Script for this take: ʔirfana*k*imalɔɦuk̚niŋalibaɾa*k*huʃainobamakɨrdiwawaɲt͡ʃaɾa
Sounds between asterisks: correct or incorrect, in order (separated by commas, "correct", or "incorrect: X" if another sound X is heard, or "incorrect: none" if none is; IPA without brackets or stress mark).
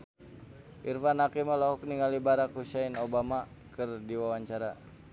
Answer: correct, correct